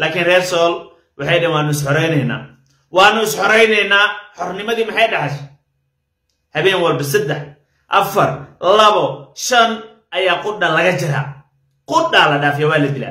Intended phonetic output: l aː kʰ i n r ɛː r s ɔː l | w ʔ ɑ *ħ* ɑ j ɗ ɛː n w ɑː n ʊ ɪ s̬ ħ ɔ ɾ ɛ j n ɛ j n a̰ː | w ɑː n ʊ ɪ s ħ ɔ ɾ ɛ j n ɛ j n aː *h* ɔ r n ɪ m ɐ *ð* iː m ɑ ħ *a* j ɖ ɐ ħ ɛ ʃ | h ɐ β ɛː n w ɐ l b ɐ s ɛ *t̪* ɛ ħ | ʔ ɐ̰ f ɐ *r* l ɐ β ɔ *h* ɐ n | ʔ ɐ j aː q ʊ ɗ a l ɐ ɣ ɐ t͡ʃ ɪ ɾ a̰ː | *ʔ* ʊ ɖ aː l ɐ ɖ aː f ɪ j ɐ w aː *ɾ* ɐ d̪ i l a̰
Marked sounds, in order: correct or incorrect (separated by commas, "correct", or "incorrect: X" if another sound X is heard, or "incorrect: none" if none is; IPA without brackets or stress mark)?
correct, incorrect: ħ, correct, incorrect: ɑ, incorrect: d̪, correct, incorrect: ʃ, incorrect: q, incorrect: l